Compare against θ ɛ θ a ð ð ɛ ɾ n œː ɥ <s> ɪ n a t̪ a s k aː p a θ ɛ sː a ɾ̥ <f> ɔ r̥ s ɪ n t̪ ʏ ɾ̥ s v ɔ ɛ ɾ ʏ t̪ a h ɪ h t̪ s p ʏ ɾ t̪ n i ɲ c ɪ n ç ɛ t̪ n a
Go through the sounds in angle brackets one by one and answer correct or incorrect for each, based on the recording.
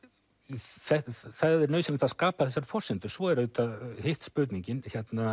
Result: correct, correct

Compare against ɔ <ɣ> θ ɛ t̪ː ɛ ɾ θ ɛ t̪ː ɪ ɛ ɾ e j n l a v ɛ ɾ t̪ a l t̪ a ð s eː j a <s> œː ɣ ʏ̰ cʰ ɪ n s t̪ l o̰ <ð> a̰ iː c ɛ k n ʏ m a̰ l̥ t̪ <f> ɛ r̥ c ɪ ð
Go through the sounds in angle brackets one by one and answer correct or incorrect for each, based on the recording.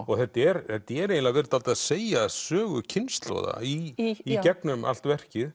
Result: correct, correct, correct, incorrect: v

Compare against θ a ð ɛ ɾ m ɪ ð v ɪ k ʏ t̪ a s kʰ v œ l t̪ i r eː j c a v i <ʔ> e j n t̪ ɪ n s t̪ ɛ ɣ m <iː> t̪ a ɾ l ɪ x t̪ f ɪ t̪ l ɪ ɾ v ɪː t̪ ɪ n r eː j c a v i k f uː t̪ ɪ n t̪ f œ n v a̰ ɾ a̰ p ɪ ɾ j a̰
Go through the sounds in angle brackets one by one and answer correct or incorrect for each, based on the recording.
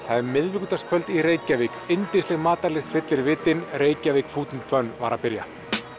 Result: incorrect: k, incorrect: aː

